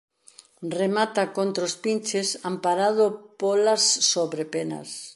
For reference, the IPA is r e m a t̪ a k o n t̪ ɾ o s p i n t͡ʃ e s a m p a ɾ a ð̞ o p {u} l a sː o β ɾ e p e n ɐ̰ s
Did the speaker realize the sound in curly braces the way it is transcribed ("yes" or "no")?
no